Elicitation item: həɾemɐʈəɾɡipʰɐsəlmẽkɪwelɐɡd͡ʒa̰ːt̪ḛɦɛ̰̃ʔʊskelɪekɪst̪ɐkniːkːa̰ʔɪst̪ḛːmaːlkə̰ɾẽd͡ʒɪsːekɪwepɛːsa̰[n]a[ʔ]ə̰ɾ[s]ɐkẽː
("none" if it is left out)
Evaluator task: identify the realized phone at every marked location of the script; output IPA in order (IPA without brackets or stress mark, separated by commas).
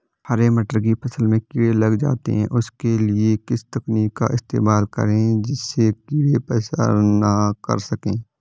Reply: n, k, s